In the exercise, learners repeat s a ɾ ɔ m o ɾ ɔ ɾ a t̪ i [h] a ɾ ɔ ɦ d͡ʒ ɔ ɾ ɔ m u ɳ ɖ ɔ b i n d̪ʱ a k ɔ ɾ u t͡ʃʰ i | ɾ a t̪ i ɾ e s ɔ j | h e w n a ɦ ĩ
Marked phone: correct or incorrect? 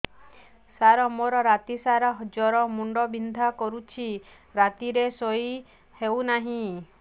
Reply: incorrect